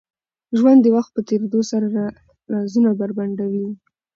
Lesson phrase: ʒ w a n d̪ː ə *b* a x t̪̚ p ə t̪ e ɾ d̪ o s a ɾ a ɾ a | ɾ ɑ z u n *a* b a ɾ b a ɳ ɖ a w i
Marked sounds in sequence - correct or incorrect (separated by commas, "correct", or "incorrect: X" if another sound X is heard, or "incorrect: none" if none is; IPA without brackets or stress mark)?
incorrect: w, correct